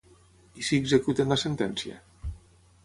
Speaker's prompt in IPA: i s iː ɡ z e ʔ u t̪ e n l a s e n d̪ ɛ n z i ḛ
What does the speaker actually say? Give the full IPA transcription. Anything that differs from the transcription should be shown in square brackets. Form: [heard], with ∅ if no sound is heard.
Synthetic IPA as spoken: i s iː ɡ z e [k] u t̪ e n l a s e n [t̪] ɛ n [s] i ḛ